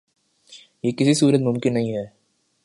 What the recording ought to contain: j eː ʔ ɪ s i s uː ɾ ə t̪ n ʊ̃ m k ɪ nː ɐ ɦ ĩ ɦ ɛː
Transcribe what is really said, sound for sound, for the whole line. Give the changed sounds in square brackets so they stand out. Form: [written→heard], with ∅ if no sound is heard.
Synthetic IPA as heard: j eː [ʔ→k] ɪ s i s uː ɾ ə t̪ [n→m] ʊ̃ m k ɪ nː ɐ ɦ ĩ ɦ ɛː